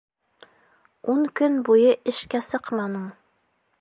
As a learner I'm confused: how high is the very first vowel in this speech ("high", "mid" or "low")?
high